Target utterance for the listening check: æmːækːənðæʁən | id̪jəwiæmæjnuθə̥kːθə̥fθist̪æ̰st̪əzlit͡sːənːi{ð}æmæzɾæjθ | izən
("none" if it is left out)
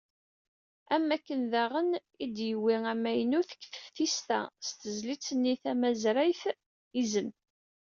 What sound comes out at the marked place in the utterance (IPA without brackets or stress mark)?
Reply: θ